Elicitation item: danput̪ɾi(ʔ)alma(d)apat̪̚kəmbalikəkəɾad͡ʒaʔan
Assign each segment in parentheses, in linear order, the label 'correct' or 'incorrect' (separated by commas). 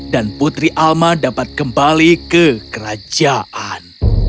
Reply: correct, correct